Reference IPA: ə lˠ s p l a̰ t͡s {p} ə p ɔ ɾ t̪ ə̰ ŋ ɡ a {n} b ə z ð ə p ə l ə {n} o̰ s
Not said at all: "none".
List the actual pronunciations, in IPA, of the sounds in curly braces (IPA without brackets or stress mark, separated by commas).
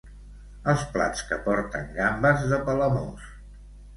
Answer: k, m, m